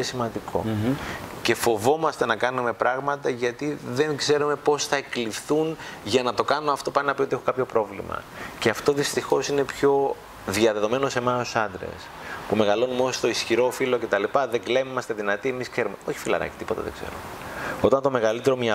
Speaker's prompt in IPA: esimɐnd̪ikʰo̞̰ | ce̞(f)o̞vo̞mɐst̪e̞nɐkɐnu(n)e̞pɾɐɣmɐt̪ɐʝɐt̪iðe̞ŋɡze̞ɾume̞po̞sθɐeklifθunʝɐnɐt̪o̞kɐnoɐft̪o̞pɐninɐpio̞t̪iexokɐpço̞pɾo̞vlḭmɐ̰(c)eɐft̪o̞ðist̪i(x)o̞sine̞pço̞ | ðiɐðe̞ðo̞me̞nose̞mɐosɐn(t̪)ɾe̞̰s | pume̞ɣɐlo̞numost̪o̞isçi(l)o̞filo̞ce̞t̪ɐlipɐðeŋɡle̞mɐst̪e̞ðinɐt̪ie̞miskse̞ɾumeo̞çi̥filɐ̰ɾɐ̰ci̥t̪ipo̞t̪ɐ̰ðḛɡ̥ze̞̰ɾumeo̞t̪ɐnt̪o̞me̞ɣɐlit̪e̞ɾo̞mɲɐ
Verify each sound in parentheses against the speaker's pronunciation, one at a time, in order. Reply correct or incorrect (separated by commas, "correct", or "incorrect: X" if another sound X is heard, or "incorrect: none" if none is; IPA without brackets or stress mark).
correct, incorrect: m, correct, correct, incorrect: d̪, incorrect: ɾ